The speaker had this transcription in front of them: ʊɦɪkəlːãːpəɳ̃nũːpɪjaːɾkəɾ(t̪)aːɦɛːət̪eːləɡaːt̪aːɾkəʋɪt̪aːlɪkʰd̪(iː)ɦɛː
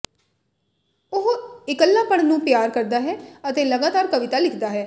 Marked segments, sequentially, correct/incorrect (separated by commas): incorrect, incorrect